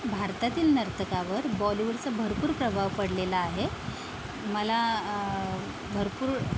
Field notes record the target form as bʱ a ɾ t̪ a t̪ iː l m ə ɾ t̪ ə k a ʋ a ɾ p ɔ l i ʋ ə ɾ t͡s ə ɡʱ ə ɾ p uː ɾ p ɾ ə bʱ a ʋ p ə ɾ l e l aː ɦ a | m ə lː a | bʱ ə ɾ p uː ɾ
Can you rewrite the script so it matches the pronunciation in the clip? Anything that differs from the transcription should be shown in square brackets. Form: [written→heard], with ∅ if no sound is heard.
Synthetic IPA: bʱ a ɾ t̪ a t̪ iː l [m→n] ə ɾ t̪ ə k a ʋ [a→ə] ɾ [p→b] ɔ l i ʋ ə ɾ t͡s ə [ɡʱ→bʱ] ə ɾ p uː ɾ p ɾ ə bʱ a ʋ p ə [ɾ→ɽ] l e l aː ɦ [a→e] | m ə [lː→l] a | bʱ ə ɾ p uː ɾ